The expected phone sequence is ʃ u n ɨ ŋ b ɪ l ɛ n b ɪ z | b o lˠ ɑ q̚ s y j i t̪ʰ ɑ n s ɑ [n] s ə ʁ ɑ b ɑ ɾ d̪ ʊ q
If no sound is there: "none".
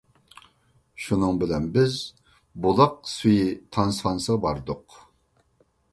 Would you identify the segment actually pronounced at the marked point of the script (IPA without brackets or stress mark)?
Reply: n